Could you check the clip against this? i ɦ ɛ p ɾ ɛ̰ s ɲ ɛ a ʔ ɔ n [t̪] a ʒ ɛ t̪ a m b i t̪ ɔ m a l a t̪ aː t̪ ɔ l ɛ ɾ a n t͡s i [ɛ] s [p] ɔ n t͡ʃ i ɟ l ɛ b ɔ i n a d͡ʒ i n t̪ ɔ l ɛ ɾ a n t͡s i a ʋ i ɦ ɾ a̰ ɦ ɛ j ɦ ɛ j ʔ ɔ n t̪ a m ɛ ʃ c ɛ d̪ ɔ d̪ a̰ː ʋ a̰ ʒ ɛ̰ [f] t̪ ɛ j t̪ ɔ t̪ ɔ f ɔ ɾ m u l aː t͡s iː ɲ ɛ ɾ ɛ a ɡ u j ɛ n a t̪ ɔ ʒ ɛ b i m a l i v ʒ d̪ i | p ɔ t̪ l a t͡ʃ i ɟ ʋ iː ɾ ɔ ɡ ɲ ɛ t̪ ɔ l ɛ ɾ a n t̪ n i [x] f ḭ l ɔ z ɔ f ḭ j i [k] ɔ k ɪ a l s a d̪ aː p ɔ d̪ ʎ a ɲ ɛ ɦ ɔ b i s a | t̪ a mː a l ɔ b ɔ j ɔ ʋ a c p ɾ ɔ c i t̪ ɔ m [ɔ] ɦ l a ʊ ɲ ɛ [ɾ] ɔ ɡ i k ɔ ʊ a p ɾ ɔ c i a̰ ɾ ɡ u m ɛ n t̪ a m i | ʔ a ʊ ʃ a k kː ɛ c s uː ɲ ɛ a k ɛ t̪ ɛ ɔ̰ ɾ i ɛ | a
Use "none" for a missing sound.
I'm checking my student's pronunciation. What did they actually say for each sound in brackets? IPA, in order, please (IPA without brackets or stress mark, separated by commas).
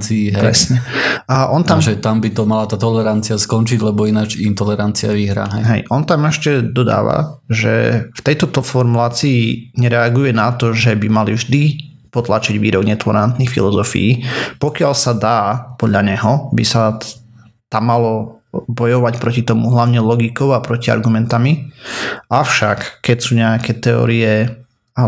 t̪, a, k, f, x, p, u, l